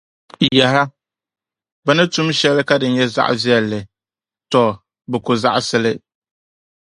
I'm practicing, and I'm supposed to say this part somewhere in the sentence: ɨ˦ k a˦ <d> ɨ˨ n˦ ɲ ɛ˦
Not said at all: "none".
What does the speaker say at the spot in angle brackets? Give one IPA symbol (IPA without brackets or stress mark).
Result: d